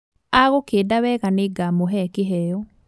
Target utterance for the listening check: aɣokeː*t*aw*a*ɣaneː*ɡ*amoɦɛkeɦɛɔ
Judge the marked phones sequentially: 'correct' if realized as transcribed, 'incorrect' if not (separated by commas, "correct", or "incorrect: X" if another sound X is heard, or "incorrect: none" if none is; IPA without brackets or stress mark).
incorrect: d, incorrect: ɛ, correct